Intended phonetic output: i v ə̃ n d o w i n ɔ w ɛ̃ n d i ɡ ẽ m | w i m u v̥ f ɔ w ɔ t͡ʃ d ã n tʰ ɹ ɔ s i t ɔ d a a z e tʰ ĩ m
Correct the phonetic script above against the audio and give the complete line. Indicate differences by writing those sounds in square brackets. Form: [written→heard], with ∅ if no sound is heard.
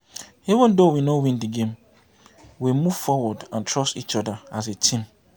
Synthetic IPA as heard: i v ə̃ n d o w i n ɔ w [ɛ̃→ĩ] n d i ɡ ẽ m | w i m u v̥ f ɔ w ɔ [t͡ʃ→∅] d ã n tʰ ɹ ɔ s i [t→t͡ʃ] ɔ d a a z e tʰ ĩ m